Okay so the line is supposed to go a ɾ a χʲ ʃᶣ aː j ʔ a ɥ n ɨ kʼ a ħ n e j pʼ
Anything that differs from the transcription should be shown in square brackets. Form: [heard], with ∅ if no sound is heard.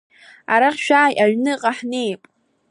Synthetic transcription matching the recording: a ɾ a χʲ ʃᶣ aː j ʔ a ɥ n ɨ [qʼ] a ħ n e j pʼ